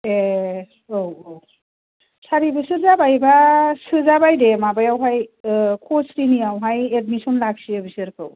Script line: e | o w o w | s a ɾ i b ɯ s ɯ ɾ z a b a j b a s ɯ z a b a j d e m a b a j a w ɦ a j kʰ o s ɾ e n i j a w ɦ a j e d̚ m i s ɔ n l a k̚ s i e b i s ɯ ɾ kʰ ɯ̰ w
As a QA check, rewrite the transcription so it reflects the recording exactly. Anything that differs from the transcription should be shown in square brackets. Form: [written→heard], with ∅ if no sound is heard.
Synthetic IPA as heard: e | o w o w | s a ɾ i b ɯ s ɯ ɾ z a b a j b a s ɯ z a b a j d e m a b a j a w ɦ a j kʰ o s ɾ [e→i] n i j a w ɦ a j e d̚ m i s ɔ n l a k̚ s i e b i s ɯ ɾ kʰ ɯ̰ w